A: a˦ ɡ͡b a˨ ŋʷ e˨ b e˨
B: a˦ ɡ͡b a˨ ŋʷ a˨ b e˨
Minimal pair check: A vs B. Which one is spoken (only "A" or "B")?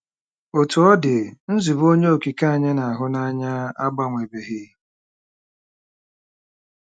A